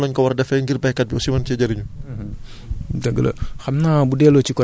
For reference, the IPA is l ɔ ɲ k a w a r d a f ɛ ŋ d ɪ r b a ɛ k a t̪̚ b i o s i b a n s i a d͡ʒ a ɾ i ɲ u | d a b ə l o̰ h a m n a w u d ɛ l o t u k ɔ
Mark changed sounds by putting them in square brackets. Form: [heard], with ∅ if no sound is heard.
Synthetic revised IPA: l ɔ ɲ k a w a r d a f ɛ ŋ [ɡ] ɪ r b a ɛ k a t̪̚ b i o s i [m] a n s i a d͡ʒ a ɾ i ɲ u | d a [ɡ] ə l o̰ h a m n a [b] u d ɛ l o [t͡ʃ] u k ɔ